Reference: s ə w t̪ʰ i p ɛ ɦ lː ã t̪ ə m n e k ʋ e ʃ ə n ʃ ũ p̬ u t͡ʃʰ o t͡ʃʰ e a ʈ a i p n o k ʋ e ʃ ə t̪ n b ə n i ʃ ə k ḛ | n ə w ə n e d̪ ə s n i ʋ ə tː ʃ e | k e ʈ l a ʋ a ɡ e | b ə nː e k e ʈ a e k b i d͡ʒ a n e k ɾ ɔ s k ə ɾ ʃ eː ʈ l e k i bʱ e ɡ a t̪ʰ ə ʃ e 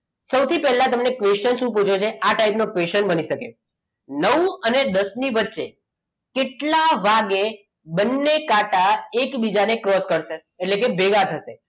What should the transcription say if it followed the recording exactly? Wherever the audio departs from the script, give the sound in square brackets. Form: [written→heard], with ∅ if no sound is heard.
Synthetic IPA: s ə w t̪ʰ i p ɛ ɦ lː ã t̪ ə m n e k ʋ e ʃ ə n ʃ ũ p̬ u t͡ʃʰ o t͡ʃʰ e a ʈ a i p n o k ʋ e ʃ ə [t̪→∅] n b ə n i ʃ ə k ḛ | n ə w ə n e d̪ ə s n i ʋ ə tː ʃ e | k e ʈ l a ʋ a ɡ e | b ə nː e k [e→a] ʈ a e k b i d͡ʒ a n e k ɾ ɔ s k ə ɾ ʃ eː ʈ l e k [i→e] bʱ e ɡ a t̪ʰ ə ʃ e

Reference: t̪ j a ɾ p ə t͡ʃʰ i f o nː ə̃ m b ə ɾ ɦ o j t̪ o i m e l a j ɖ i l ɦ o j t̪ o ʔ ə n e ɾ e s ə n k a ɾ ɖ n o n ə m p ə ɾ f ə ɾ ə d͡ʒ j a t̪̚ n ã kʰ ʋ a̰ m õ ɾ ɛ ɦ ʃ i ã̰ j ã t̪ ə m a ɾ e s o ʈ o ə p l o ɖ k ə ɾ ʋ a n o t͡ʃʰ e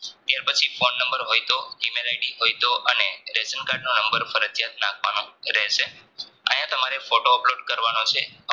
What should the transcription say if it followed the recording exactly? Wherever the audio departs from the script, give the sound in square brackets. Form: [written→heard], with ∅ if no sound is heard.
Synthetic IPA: t̪ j a ɾ p ə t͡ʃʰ i f o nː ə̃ m b ə ɾ ɦ o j t̪ o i m e l a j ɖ i [l→∅] ɦ o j t̪ o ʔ ə n e ɾ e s ə n k a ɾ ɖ n o n ə m [p→b] ə ɾ f ə ɾ ə d͡ʒ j a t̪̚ n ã kʰ ʋ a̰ [m→n] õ ɾ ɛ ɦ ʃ [i→e] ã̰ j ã t̪ ə m a ɾ e [s→f] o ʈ o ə p l o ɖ k ə ɾ ʋ a n o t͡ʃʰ e

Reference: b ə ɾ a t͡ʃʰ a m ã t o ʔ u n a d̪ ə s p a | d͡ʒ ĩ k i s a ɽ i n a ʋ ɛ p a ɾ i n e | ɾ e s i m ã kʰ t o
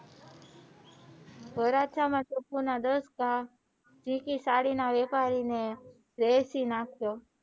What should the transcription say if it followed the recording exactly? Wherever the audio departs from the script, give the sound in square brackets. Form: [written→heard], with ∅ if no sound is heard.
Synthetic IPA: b ə ɾ a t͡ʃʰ a m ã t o [ʔ→p] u n a d̪ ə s [p→k] a | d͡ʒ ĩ k i s a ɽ i n a ʋ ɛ p a ɾ i n e | ɾ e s i [m→n] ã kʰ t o

